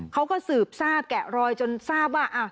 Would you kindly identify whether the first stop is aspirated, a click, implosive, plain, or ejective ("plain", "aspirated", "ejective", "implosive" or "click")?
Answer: aspirated